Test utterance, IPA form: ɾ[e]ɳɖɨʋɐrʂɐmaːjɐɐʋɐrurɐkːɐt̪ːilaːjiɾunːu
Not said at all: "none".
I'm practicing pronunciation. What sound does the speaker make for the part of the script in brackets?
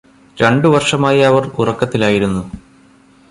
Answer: e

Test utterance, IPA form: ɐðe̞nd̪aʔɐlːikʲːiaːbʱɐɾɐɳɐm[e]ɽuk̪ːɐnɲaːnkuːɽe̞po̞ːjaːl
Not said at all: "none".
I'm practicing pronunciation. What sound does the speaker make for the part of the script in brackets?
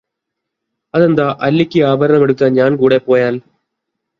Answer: e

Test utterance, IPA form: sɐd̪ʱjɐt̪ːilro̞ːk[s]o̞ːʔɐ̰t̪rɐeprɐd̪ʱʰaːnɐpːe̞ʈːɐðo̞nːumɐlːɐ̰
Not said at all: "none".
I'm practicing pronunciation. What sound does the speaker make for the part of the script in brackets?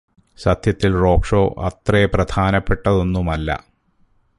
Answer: ʂ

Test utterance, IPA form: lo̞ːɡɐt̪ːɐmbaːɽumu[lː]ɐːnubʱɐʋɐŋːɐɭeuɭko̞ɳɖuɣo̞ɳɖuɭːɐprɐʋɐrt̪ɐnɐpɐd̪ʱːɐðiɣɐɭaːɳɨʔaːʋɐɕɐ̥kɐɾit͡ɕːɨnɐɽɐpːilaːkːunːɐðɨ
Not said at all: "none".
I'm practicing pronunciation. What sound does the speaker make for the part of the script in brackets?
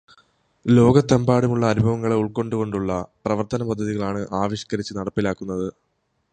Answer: ɭː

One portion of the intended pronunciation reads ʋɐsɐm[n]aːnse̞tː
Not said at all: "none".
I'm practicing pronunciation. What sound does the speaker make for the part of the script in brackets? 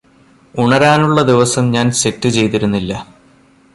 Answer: ɲ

